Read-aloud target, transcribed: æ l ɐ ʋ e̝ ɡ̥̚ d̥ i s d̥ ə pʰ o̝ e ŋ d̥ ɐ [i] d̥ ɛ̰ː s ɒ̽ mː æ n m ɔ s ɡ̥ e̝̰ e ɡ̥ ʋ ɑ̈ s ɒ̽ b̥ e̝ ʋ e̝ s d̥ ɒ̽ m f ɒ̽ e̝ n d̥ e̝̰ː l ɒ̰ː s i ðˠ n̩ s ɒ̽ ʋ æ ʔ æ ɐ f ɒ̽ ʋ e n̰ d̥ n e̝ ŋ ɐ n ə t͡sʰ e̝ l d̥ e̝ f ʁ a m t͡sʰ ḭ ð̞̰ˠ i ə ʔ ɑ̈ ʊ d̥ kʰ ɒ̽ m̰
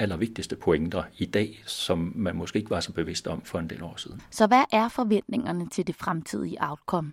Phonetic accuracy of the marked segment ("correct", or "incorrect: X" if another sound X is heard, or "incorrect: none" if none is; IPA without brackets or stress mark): correct